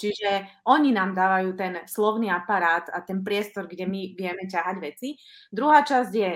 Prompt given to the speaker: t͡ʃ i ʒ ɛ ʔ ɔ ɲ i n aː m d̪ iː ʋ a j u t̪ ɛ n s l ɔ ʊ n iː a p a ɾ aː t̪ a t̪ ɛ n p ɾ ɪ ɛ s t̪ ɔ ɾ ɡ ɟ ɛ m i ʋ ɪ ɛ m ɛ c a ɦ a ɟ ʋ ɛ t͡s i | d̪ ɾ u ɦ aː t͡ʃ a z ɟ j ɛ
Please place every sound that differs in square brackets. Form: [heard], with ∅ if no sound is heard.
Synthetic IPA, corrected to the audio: t͡ʃ i ʒ ɛ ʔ ɔ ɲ i n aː m d̪ [aː] ʋ a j [uː] t̪ ɛ n s l ɔ ʊ n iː a p a ɾ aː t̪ a t̪ ɛ n p ɾ ɪ ɛ s t̪ ɔ ɾ ɡ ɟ ɛ m i ʋ ɪ ɛ m ɛ c a ɦ a ɟ ʋ ɛ t͡s i | d̪ ɾ u ɦ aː t͡ʃ a z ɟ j ɛ